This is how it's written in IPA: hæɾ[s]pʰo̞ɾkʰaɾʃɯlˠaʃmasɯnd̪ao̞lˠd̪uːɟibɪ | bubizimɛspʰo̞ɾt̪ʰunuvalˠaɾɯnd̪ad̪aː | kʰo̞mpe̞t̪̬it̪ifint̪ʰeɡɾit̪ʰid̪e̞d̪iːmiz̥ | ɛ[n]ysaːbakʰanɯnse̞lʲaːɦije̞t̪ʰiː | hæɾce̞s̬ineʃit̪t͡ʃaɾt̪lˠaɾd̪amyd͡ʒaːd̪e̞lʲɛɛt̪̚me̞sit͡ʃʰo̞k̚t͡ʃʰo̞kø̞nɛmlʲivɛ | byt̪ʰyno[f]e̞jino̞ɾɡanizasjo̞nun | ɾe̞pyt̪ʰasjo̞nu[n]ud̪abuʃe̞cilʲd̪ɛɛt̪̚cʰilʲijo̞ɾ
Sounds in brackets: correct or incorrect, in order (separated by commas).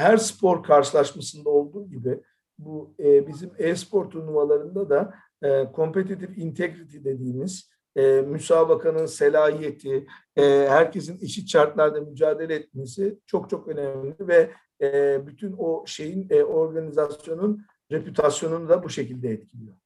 correct, incorrect, incorrect, correct